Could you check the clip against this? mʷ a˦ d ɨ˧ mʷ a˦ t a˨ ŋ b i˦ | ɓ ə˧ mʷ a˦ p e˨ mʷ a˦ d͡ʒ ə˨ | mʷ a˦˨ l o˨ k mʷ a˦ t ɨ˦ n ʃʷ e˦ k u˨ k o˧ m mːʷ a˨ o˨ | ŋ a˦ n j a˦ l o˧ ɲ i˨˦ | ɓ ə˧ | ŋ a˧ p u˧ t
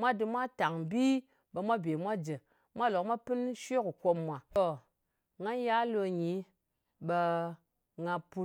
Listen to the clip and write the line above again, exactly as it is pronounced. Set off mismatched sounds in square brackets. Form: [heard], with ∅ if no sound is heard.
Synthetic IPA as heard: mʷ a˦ d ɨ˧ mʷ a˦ t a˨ ŋ b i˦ | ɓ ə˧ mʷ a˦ [b] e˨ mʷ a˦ d͡ʒ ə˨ | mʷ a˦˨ l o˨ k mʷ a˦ [p] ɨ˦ n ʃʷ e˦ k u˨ k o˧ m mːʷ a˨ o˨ | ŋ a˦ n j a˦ l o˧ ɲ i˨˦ | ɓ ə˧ | ŋ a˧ p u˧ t